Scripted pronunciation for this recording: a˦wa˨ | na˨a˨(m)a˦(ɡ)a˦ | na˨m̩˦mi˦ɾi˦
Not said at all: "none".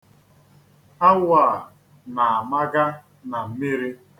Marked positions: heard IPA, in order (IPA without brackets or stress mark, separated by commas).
m, ɡ